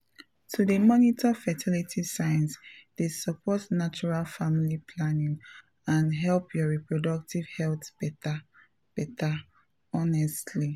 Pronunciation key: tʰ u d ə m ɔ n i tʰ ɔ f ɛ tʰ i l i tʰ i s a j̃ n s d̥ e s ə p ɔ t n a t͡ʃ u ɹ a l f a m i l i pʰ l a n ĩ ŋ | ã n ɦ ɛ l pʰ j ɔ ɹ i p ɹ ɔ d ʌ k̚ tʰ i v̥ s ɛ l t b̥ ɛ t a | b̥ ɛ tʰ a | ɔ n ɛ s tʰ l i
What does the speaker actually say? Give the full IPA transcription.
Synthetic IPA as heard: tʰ u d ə m ɔ n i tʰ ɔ f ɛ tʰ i l i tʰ i s a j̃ n s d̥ e s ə p ɔ t n a t͡ʃ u ɹ a l f a m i l i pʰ l a n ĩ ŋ | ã n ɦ ɛ l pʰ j ɔ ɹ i p ɹ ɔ d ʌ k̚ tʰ i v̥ h ɛ l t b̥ ɛ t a | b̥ ɛ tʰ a | ɔ n ɛ s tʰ l i